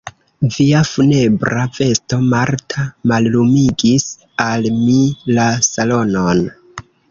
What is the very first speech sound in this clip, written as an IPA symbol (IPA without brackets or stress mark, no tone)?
v